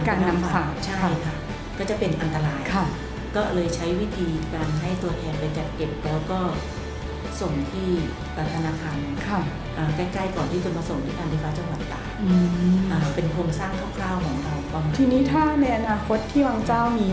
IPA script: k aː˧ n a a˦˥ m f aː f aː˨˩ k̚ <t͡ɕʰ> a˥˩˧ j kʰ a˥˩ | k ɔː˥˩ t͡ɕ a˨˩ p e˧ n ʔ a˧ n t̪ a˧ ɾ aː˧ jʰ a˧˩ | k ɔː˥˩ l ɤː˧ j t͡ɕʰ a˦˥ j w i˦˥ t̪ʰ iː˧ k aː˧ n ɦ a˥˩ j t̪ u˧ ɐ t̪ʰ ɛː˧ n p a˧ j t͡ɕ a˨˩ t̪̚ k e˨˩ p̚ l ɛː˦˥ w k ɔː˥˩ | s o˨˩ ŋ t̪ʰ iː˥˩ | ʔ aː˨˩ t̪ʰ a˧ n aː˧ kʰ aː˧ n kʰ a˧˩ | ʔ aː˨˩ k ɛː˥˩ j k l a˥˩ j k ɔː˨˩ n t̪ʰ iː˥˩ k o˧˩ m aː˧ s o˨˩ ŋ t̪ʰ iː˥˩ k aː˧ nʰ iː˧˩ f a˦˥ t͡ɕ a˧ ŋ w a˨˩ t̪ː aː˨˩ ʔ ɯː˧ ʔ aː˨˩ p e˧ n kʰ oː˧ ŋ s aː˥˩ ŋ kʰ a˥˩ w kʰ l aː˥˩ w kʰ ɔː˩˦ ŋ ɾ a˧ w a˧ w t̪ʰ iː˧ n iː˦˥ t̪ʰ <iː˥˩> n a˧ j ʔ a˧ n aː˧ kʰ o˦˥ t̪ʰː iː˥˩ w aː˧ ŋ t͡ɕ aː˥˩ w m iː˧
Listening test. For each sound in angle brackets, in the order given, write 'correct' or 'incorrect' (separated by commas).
correct, incorrect